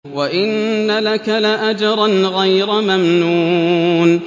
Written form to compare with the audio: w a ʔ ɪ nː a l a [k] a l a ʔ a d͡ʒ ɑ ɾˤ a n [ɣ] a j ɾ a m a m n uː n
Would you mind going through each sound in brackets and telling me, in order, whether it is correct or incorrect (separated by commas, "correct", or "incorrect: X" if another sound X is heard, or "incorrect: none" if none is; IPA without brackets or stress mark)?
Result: correct, correct